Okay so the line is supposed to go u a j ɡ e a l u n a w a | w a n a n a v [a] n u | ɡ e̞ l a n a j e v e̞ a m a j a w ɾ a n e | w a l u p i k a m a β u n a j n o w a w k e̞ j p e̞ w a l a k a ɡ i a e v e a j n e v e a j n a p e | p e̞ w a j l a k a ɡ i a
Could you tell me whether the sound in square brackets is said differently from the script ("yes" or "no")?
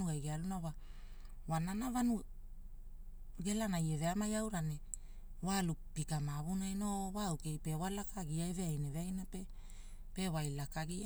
no